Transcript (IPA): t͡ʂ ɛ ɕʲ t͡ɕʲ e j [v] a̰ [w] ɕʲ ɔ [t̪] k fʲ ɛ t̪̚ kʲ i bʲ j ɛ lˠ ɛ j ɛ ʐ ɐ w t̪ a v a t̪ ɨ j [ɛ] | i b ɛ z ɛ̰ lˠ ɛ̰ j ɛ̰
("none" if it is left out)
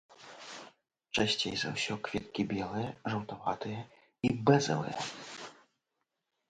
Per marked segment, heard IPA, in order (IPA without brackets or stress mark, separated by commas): z, w, none, ɛ